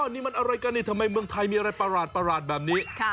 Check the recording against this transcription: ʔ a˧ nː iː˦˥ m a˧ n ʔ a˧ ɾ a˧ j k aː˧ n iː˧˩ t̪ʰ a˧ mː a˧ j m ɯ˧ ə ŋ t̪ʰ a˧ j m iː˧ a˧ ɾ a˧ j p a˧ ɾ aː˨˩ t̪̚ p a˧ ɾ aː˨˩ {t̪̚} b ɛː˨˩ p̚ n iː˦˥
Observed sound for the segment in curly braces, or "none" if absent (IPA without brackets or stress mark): t̪̚